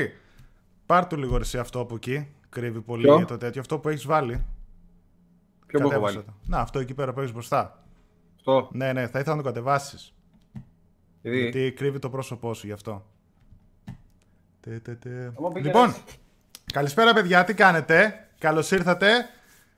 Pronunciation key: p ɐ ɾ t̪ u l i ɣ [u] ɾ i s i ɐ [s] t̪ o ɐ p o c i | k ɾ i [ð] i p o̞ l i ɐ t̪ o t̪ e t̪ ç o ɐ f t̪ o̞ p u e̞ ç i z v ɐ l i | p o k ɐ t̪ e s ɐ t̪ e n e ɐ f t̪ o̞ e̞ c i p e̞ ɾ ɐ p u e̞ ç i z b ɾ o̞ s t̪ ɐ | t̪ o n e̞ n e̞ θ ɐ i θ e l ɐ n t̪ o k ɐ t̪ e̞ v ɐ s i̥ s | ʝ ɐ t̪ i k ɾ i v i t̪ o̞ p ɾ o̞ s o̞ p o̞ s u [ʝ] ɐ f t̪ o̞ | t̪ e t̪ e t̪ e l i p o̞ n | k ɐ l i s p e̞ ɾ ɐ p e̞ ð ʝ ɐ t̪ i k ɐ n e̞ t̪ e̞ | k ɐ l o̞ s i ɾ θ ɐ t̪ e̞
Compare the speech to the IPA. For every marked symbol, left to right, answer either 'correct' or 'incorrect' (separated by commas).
incorrect, incorrect, incorrect, correct